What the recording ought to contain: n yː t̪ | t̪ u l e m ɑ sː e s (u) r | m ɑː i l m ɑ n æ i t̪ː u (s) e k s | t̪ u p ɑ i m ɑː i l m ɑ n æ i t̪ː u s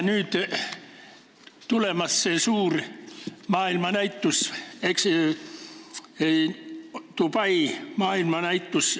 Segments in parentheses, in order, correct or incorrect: incorrect: uː, correct

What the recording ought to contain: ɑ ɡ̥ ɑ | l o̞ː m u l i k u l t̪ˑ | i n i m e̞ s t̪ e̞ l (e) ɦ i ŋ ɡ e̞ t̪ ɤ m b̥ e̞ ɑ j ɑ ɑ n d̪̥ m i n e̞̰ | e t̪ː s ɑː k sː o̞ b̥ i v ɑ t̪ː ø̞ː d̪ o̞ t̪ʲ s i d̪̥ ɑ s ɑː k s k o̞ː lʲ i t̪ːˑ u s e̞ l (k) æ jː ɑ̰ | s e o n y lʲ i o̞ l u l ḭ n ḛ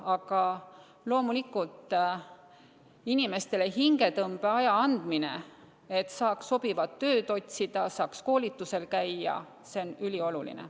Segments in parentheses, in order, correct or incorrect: correct, correct

